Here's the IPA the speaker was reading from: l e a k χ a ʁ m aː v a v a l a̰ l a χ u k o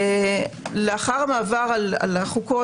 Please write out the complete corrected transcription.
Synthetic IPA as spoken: l e a χ a ʁ m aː v a ʁ a l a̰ l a χ u k o

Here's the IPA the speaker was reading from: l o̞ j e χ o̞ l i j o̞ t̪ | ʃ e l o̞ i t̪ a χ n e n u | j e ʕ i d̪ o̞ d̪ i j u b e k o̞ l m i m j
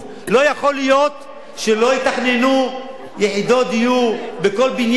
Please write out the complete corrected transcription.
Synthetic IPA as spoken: l o̞ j a χ o̞ l i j o̞ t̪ | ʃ e l o̞ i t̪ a χ n e n u | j e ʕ i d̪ o̞ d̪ i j u b e k o̞ l b i n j

